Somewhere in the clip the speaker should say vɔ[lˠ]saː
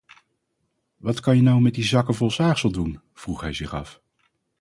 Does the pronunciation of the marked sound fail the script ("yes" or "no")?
no